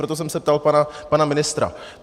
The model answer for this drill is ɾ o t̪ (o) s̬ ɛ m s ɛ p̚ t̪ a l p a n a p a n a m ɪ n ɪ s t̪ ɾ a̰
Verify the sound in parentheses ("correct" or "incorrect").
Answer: correct